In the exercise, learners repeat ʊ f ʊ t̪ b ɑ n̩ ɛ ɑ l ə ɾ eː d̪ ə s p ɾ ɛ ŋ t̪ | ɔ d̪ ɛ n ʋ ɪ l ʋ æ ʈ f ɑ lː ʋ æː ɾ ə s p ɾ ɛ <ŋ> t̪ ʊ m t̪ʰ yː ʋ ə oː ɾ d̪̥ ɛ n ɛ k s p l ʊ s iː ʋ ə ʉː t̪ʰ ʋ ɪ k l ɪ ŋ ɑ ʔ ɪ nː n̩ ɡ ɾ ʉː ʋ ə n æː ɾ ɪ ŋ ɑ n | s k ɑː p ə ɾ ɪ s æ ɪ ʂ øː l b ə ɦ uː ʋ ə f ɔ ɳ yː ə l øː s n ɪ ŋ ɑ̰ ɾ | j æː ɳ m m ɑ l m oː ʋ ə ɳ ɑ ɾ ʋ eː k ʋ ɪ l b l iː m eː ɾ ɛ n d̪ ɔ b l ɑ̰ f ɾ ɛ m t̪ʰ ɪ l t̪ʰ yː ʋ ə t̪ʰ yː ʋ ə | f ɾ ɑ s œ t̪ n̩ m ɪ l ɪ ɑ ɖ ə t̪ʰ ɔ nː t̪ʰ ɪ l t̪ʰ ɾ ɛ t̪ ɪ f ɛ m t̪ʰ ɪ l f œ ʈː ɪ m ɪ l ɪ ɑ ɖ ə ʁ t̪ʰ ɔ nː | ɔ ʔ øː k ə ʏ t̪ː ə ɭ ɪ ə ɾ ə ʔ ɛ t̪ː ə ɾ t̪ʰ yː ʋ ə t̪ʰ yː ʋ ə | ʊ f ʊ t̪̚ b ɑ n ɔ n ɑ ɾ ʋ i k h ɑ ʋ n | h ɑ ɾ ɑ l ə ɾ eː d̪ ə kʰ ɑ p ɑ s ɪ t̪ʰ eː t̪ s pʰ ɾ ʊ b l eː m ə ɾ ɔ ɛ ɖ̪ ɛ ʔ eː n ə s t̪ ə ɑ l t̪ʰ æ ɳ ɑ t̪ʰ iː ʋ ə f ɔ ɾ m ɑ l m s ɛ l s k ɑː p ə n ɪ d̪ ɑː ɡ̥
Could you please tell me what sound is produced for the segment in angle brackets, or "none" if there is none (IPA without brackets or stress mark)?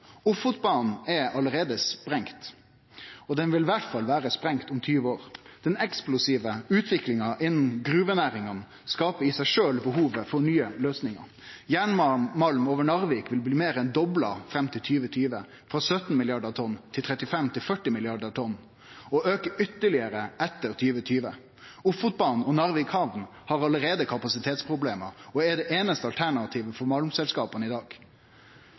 ŋ